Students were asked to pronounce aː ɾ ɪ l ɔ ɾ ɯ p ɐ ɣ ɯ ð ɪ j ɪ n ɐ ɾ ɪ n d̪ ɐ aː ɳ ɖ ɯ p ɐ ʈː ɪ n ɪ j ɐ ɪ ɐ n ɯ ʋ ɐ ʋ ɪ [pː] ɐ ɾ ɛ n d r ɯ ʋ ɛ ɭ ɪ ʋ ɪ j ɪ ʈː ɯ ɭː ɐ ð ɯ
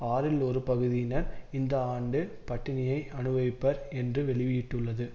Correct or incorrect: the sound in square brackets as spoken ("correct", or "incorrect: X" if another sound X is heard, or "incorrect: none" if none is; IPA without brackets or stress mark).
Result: correct